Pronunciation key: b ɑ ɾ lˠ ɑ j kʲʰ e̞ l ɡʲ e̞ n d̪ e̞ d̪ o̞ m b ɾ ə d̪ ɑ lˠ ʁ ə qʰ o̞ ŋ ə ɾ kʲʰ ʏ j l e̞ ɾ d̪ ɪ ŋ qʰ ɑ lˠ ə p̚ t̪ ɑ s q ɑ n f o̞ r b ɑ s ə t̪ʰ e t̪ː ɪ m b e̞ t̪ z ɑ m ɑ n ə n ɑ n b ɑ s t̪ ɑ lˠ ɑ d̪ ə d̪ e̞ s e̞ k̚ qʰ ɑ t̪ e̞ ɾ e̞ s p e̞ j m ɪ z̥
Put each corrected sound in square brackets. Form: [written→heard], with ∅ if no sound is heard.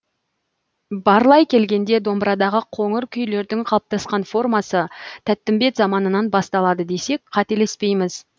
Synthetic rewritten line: b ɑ ɾ lˠ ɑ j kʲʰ e̞ l ɡʲ e̞ n d̪ e̞ d̪ o̞ m b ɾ [ə→ɑ] d̪ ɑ [lˠ→∅] ʁ ə qʰ o̞ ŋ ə ɾ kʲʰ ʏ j l e̞ ɾ d̪ ɪ ŋ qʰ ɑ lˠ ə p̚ t̪ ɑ s q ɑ n f o̞ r [b→m] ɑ s ə t̪ʰ [e→æ] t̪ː ɪ m b e̞ t̪ z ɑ m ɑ n ə n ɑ n b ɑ s t̪ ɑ lˠ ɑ d̪ ə d̪ e̞ s e̞ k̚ qʰ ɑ t̪ e̞ [ɾ→l] e̞ s p e̞ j m ɪ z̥